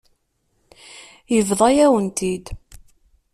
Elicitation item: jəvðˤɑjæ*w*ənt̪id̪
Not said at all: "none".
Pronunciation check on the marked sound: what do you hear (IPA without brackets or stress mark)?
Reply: w